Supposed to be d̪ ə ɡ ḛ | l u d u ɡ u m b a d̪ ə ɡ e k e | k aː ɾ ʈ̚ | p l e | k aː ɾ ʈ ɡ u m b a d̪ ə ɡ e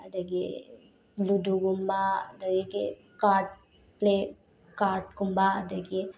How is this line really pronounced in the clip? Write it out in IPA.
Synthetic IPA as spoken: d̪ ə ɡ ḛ | l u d u ɡ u m b a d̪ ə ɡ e k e | k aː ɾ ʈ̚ | p l e | k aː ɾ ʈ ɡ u m b a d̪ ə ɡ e